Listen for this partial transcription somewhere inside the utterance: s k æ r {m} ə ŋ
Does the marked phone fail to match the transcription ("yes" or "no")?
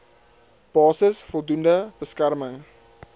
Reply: no